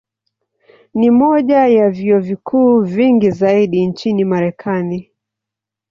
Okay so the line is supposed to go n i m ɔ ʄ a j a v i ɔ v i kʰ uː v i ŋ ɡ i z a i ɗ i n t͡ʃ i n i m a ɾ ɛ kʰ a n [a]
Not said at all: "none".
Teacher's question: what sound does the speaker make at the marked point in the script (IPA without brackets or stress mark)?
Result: i